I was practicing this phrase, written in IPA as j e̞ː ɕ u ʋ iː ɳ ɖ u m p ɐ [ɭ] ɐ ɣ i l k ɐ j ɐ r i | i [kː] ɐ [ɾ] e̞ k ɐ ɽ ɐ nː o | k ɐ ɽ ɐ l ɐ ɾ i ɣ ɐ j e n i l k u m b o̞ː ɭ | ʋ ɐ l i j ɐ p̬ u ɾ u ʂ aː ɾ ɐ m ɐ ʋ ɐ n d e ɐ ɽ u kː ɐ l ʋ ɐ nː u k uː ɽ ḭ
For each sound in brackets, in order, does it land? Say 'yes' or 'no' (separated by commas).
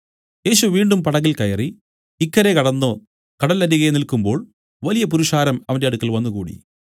no, yes, yes